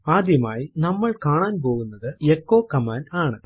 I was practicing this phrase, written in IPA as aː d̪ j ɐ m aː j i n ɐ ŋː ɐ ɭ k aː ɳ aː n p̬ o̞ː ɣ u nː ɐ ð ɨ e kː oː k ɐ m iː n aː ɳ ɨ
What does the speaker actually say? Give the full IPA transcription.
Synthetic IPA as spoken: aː d̪ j ɐ m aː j i n ɐ mː ɐ ɭ k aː ɳ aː n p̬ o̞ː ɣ u nː ɐ ð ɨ e kː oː k ɐ m aː n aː ɳ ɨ